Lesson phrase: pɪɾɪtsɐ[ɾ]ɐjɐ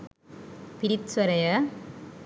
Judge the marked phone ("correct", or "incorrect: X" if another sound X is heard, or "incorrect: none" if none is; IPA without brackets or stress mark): correct